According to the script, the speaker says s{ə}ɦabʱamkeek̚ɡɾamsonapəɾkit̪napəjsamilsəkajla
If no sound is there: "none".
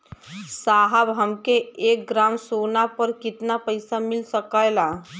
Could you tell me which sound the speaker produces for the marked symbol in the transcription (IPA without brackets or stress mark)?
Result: a